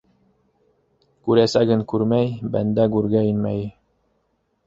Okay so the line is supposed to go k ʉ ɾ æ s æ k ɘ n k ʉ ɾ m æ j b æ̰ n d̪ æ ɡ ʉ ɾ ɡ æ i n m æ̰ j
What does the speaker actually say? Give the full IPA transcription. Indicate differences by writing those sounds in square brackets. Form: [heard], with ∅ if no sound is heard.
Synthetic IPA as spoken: k ʉ ɾ æ s æ [ɡ] ɘ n k ʉ ɾ m æ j b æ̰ n d̪ æ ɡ ʉ ɾ ɡ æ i n m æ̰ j